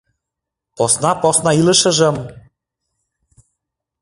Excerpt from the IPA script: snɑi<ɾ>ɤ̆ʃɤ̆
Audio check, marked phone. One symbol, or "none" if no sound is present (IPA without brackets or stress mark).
l